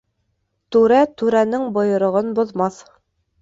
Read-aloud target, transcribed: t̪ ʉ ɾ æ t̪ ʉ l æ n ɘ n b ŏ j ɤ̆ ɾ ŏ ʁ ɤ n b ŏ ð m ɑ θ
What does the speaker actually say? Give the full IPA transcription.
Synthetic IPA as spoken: t̪ ʉ ɾ æ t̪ ʉ ɾ æ n ɘ ŋ b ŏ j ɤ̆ ɾ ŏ ʁ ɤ n b ŏ ð m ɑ θ